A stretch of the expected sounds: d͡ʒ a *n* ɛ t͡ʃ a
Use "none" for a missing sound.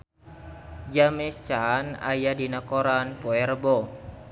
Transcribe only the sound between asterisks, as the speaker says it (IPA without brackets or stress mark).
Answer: m